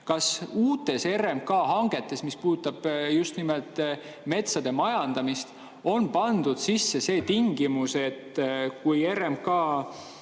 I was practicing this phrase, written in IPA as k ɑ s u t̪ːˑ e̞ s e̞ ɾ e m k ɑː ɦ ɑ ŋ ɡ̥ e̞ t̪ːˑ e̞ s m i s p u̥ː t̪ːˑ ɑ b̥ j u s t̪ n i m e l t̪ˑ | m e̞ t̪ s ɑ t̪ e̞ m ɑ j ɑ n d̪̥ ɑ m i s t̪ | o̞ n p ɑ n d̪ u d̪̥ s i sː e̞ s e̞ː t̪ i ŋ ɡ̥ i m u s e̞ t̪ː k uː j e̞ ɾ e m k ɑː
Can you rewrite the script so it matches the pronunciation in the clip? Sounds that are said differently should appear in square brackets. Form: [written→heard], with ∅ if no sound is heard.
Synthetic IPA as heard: k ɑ s [u→uː] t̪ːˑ e̞ s e̞ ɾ e m k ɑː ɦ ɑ ŋ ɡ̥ e̞ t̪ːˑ e̞ s m i s p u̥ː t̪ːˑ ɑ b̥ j u s t̪ n i m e l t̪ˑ | m e̞ t̪ s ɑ [t̪→d̪] e̞ m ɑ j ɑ n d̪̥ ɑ m i s t̪ | o̞ n p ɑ n d̪ u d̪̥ s i sː e̞ s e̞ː t̪ i ŋ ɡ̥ i m u s e̞ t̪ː k [uː→u] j e̞ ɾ e m k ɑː